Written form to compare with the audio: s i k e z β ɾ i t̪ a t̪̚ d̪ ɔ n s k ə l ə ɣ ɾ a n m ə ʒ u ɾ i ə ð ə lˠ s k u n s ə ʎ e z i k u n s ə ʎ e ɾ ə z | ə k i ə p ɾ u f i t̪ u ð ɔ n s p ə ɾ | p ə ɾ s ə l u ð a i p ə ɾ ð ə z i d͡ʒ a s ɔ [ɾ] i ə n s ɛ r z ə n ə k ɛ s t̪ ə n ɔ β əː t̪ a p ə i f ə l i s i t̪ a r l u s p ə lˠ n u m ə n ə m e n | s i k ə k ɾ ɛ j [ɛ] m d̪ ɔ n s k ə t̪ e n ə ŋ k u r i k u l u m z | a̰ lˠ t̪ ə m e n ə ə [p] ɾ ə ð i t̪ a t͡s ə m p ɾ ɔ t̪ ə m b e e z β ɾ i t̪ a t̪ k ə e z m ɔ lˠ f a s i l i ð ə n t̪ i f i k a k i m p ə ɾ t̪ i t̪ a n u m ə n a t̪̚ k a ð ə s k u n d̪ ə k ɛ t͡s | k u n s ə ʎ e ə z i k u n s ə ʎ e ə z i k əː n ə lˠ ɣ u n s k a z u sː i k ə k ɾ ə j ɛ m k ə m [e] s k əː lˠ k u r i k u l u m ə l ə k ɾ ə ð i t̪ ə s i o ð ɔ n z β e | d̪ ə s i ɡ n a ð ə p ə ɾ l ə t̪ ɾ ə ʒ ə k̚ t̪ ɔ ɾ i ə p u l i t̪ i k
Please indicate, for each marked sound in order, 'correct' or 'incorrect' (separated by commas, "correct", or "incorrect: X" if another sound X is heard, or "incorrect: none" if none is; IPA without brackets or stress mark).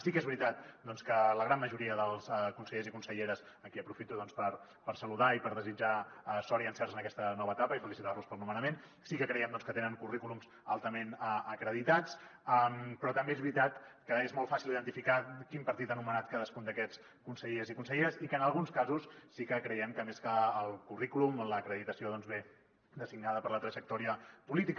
correct, correct, incorrect: k, correct